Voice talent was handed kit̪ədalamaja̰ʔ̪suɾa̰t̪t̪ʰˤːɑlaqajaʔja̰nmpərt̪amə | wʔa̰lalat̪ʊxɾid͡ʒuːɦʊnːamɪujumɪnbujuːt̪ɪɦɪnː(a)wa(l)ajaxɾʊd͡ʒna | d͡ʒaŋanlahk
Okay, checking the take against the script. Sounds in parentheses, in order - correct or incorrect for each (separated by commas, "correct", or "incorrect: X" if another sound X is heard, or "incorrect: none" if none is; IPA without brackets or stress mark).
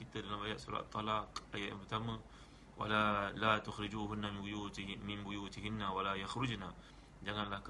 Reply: correct, correct